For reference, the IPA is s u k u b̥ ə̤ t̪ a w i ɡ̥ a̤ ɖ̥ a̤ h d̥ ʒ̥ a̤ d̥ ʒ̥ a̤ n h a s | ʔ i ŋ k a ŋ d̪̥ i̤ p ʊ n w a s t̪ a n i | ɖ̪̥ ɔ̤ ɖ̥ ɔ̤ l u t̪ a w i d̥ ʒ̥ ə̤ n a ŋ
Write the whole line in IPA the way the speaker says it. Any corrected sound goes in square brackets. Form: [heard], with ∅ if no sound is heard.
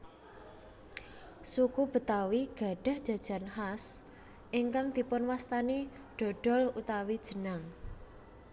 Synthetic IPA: s u k u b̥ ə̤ t̪ a w i ɡ̥ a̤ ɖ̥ a̤ h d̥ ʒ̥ a̤ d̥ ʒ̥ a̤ n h a s | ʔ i ŋ k a ŋ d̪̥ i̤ p ʊ n w a s t̪ a n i | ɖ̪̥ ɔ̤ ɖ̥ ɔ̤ l u t̪ a w i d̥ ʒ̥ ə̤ n a ŋ